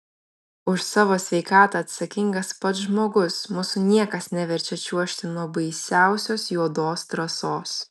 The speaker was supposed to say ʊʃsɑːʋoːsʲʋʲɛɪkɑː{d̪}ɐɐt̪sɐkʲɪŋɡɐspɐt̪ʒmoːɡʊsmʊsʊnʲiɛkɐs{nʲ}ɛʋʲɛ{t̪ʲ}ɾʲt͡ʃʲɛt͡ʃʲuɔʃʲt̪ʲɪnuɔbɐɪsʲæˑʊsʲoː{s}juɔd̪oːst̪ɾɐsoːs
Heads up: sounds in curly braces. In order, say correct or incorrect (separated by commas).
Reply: incorrect, correct, incorrect, correct